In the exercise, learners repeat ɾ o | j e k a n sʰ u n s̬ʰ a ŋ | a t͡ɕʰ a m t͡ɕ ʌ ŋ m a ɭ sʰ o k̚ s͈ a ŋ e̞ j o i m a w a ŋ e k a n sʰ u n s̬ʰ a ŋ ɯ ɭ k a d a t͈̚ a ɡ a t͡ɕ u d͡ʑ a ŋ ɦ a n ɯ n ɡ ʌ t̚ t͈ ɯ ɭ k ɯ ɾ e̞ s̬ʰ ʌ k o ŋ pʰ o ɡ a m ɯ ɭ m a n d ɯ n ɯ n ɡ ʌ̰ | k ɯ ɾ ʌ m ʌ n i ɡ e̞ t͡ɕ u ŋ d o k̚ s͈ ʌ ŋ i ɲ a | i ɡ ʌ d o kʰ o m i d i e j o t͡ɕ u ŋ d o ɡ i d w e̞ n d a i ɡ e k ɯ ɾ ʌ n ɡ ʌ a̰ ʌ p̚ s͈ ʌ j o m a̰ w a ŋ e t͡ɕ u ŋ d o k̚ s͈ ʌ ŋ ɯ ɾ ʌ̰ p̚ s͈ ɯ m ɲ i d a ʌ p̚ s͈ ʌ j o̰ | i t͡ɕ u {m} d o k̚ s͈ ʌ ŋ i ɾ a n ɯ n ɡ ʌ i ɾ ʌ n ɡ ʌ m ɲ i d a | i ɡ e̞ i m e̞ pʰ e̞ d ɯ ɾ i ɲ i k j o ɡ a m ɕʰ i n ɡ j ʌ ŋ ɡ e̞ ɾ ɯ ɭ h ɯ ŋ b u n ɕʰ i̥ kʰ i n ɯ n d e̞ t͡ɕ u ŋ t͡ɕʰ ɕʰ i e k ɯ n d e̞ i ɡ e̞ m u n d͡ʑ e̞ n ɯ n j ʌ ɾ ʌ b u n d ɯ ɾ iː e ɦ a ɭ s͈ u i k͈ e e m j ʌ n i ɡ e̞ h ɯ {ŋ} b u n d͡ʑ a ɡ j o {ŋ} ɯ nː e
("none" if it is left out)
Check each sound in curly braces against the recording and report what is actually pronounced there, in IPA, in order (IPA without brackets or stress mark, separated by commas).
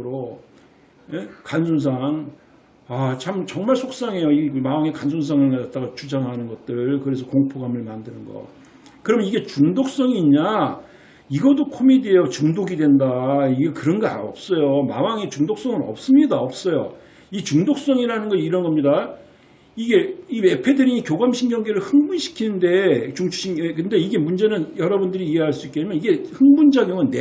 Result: ŋ, ŋ, ŋ